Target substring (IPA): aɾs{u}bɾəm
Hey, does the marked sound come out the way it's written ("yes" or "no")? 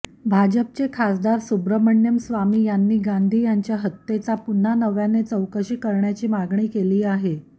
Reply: yes